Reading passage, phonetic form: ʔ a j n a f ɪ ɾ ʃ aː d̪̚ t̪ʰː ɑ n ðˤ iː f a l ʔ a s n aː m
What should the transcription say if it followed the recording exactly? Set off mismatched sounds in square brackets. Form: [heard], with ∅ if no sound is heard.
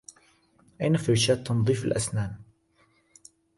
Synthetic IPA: ʔ a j n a f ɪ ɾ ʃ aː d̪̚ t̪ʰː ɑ n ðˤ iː f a l ʔ a s n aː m